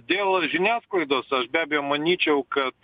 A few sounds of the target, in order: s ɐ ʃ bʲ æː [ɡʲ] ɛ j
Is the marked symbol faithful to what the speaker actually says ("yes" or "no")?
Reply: no